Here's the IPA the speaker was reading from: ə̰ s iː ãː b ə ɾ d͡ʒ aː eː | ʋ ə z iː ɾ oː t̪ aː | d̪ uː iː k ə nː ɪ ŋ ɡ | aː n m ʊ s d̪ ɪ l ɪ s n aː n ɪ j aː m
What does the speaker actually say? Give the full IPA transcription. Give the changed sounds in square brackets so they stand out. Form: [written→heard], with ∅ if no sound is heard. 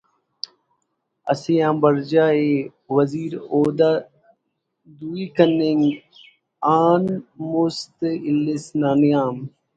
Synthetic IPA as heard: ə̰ s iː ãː b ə ɾ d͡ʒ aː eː | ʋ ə z iː ɾ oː [t̪→d̪] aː | d̪ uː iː k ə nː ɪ ŋ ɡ | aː n m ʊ s [d̪→t̪] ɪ l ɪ s n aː n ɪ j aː m